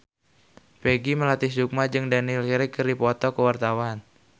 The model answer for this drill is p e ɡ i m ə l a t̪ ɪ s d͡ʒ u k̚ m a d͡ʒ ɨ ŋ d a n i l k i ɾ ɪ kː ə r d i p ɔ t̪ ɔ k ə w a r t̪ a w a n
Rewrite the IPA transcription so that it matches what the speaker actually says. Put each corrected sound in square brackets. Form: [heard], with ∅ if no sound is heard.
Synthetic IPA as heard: p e ɡ i m ə l a t̪ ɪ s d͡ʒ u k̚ m a d͡ʒ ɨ ŋ d a n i l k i ɾ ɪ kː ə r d i p ɔ t̪ ɔ k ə w a r t̪ a w a n